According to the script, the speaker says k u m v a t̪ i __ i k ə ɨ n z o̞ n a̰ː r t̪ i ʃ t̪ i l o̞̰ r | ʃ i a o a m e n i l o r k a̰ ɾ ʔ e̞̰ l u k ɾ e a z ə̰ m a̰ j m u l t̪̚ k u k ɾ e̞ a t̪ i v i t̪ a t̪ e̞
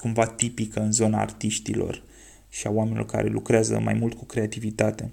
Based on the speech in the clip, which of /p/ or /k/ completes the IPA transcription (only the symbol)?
p